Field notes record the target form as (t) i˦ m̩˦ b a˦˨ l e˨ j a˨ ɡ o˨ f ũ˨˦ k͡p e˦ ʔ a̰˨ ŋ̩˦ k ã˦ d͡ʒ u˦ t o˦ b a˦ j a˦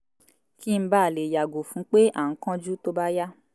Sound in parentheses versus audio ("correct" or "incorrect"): incorrect